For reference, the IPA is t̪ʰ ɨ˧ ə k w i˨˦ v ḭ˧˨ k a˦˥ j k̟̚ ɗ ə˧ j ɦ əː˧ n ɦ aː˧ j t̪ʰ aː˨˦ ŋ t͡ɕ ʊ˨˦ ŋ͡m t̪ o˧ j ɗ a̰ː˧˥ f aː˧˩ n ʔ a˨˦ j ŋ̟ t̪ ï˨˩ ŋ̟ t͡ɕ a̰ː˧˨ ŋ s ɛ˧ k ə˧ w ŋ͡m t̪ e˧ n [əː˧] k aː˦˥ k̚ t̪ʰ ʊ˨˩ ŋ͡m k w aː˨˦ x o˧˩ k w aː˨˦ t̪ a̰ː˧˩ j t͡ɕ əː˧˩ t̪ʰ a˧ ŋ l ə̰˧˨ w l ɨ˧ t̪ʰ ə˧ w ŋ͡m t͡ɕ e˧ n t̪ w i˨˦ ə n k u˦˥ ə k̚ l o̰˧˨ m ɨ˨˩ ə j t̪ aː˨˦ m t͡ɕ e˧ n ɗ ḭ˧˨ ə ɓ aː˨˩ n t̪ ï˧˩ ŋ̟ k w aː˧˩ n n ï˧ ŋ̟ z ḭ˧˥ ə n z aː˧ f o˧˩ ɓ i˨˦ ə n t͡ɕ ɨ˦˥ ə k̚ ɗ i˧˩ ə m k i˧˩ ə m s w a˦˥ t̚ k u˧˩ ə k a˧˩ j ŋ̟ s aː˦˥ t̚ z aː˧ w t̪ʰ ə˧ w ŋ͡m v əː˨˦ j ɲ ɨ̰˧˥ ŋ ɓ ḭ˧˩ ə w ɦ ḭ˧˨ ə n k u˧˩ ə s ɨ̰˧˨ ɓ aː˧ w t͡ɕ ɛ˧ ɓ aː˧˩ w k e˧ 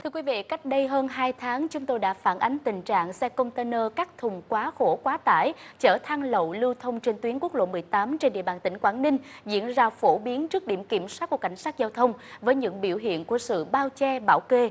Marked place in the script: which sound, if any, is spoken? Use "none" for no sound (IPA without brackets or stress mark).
əː˧